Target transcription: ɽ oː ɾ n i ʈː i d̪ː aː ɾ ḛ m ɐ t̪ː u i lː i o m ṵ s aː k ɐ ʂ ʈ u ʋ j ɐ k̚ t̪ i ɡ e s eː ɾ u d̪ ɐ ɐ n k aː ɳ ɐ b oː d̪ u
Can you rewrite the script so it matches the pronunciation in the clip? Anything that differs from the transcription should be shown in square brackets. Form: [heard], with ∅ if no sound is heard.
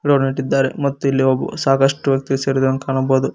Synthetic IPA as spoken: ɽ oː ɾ n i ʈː i d̪ː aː ɾ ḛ m ɐ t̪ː u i lː i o [b] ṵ s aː k ɐ ʂ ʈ u ʋ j ɐ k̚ t̪ i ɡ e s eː ɾ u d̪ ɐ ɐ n k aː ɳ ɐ b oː d̪ u